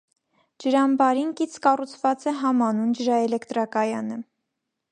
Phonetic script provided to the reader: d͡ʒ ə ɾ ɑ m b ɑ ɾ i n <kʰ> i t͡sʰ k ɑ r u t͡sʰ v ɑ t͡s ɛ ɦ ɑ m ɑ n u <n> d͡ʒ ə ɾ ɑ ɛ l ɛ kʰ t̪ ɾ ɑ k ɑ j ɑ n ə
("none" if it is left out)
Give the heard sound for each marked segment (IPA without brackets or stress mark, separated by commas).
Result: k, n